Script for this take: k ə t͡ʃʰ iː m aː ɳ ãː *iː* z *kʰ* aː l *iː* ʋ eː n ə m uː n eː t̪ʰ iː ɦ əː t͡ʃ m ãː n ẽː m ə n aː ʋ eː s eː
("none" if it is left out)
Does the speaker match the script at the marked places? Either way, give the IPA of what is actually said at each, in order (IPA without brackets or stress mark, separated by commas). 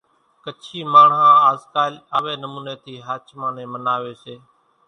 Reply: aː, k, aː